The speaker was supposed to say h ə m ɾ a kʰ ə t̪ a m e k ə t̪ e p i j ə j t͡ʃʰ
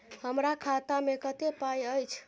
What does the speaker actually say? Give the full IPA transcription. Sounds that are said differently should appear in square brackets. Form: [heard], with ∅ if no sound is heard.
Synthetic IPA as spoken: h ə m ɾ a kʰ [a] t̪ a m e k ə t̪ e p [a] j ə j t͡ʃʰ